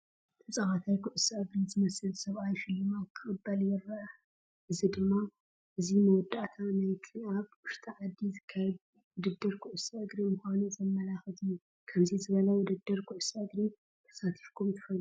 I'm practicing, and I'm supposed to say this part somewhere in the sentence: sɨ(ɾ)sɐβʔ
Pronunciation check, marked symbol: incorrect: l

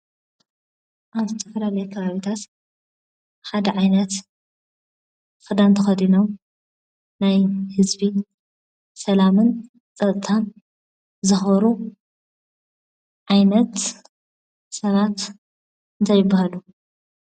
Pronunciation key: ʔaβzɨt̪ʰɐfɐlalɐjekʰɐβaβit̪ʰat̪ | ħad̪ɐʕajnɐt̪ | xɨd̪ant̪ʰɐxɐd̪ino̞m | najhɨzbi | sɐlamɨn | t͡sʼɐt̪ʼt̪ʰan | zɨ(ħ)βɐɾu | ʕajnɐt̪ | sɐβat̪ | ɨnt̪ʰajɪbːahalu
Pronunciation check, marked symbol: incorrect: x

